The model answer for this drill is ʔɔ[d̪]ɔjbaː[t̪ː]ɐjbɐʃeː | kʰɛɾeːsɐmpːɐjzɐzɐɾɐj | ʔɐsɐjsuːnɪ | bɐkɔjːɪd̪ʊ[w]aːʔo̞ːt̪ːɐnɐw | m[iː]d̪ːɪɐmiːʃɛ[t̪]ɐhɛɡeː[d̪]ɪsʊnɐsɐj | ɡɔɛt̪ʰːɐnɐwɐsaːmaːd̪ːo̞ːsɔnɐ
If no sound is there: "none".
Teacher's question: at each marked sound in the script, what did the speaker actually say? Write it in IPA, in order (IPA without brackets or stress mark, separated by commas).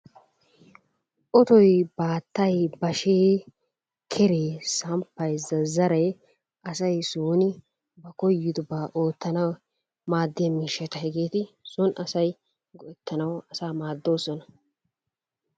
t̪, t̪ː, b, aː, t̪, t̪